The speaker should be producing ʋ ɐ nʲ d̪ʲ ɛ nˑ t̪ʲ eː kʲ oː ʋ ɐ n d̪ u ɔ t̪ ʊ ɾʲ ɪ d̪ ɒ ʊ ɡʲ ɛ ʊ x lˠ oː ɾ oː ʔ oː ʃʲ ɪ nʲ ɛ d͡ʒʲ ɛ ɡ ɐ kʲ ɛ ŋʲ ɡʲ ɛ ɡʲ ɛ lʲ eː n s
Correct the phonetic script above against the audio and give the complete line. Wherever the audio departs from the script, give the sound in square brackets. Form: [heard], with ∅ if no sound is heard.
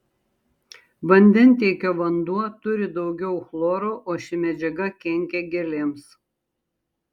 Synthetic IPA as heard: ʋ ɐ nʲ d̪ʲ ɛ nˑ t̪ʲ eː kʲ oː ʋ ɐ n d̪ u ɔ t̪ ʊ ɾʲ ɪ d̪ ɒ ʊ ɡʲ ɛ ʊ x lˠ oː ɾ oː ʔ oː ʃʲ ɪ [mʲ] ɛ d͡ʒʲ ɛ ɡ ɐ kʲ ɛ ŋʲ [kʲ] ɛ ɡʲ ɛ lʲ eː [m] s